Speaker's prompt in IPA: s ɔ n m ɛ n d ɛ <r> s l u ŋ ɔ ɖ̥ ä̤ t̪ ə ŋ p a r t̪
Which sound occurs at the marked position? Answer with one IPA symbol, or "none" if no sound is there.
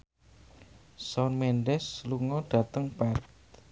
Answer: none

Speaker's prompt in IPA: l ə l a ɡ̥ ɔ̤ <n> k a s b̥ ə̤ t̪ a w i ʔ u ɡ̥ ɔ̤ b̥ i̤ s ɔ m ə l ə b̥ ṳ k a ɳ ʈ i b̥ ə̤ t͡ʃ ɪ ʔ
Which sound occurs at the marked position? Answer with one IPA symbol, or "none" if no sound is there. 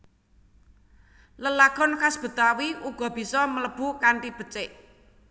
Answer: n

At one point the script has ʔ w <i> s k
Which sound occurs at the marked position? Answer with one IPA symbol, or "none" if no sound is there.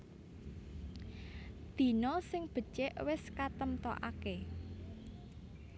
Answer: ɪ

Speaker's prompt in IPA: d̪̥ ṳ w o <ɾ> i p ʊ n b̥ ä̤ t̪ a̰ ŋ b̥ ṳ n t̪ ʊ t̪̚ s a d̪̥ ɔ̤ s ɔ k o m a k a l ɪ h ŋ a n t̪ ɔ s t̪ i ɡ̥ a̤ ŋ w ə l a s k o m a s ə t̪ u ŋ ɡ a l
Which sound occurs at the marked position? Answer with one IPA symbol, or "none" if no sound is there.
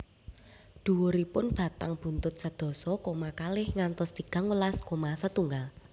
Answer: ɾ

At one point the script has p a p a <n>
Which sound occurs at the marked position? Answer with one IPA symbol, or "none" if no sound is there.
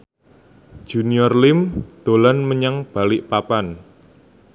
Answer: n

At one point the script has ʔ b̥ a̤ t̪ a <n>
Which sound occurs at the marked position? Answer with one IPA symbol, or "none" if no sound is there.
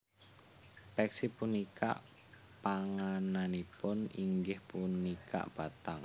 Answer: ŋ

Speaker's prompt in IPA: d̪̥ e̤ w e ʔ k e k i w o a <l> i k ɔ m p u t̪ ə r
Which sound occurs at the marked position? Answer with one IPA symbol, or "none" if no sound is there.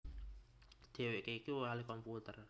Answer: l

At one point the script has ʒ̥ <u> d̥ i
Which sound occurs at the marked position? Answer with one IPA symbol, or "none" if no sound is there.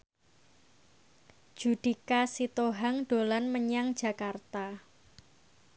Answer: u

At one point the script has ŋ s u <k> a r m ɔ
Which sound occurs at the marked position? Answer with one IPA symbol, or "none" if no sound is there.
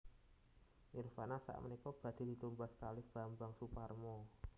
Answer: p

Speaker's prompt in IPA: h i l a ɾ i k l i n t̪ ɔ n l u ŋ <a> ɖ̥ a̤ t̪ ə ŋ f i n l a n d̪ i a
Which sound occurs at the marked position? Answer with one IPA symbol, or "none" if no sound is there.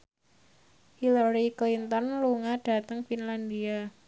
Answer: a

